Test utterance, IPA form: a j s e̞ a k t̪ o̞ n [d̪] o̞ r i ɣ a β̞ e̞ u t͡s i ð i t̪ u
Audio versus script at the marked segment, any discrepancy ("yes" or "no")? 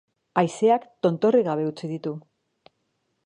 yes